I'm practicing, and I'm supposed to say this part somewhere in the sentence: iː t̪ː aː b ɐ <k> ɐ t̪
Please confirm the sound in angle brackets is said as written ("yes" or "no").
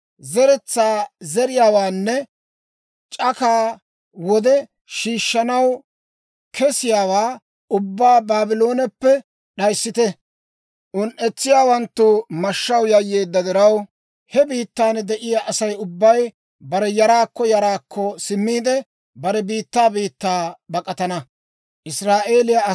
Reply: no